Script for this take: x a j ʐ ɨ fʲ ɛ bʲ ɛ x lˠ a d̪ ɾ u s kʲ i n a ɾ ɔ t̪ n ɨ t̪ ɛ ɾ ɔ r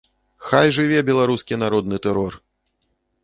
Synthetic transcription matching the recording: x a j ʐ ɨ vʲ ɛ bʲ ɛ lˠ a ɾ u s kʲ i n a ɾ ɔ d̪ n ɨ t̪ ɛ ɾ ɔ r